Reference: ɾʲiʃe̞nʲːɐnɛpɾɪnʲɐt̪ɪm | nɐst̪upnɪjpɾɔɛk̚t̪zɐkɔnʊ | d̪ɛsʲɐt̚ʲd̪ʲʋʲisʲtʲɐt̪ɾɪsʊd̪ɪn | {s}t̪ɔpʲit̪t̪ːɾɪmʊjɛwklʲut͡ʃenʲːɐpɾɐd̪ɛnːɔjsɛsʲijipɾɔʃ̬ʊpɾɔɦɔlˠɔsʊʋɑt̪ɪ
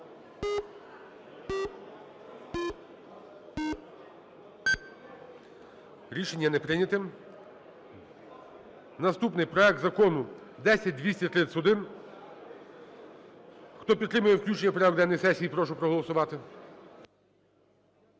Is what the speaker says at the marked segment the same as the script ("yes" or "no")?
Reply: no